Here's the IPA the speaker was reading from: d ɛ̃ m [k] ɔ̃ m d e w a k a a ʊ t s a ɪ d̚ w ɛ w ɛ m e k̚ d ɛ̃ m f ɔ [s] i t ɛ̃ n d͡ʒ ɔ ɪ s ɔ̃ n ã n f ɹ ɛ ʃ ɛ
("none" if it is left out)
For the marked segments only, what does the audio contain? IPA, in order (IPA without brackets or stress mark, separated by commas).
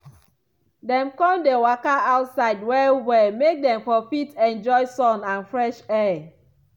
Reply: k, f